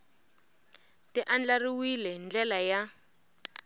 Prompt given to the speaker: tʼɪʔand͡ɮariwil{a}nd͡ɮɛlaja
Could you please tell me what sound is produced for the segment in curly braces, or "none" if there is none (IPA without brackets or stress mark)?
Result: ɛ